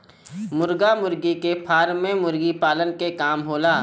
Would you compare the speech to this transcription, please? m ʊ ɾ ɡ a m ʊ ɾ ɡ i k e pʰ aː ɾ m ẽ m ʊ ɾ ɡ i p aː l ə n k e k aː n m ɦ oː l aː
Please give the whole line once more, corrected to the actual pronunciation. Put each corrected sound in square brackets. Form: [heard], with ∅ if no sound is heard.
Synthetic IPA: m ʊ ɾ ɡ a m ʊ ɾ ɡ i k e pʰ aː ɾ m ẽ m ʊ ɾ ɡ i p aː l ə n k e k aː [∅] m ɦ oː l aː